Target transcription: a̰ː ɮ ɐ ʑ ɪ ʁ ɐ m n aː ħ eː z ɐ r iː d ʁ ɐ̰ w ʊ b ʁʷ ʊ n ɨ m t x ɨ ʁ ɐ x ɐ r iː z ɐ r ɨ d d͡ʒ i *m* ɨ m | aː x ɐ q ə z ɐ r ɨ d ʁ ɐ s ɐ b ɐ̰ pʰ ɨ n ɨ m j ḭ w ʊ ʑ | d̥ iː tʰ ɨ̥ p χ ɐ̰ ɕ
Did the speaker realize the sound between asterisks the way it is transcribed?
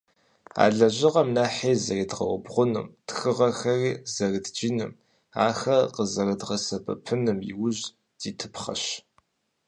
no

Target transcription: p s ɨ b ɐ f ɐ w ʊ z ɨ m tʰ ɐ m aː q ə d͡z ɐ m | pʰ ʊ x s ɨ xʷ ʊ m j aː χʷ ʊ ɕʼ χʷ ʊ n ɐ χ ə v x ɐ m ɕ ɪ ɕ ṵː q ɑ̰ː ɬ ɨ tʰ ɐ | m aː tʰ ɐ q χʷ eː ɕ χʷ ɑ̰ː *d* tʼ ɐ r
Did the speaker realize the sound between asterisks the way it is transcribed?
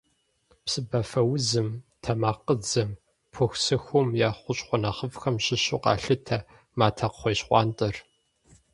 no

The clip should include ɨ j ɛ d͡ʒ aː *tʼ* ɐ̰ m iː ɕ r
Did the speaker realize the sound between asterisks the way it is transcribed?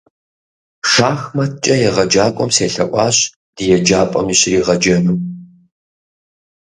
no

